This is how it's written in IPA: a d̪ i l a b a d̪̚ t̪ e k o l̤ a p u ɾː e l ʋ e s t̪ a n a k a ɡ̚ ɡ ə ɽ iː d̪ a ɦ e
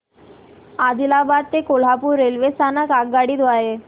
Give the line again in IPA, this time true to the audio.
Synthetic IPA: a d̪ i l a b a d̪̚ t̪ e k o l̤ a p u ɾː e l ʋ e s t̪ a n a k a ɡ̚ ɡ a ɽ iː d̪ a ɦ e